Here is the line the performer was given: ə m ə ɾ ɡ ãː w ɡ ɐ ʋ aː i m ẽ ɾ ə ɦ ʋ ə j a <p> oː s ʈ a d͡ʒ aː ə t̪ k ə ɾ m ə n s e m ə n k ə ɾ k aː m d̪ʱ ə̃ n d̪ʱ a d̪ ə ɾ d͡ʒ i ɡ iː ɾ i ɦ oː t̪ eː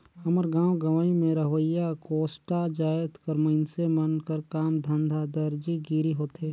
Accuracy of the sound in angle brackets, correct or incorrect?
incorrect